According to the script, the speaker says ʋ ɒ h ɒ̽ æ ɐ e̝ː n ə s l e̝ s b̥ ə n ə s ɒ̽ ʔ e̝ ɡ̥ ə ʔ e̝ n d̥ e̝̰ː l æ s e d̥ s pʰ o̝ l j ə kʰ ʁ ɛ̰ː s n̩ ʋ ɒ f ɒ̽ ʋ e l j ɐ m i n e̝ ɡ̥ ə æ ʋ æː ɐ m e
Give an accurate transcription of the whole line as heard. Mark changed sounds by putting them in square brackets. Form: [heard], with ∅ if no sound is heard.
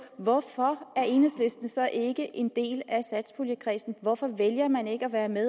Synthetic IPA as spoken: ʋ ɒ [f] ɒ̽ æ ɐ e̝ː n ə s l e̝ s [d̥] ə n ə s ɒ̽ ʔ e̝ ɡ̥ ə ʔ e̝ n d̥ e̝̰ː l æ s [æ] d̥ s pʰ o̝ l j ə kʰ ʁ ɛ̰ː s n̩ ʋ ɒ f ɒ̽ ʋ e l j ɐ m [æ] n e̝ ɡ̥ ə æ ʋ æː ɐ m e